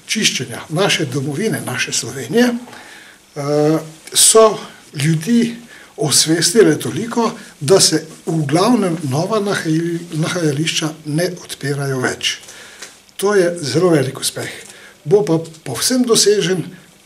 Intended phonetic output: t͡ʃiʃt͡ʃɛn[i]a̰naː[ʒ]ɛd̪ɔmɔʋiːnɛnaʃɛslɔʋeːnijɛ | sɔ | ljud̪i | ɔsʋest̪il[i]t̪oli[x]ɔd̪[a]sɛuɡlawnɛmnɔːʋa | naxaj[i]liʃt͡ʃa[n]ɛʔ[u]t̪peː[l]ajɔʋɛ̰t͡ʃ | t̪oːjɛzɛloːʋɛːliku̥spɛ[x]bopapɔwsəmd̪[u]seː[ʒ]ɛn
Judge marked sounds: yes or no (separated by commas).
no, no, no, no, yes, no, yes, no, no, yes, no, yes